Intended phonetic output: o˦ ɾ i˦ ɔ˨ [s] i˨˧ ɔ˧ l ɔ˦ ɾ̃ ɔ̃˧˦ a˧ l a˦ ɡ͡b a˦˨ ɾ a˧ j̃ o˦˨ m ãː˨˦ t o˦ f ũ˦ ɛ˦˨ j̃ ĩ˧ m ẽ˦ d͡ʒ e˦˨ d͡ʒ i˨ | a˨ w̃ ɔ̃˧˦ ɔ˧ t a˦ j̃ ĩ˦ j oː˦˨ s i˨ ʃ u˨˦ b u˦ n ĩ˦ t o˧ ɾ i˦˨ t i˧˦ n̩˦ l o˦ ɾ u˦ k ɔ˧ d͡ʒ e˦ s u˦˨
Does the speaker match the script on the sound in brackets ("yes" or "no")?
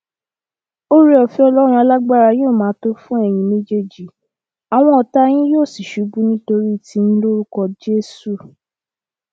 no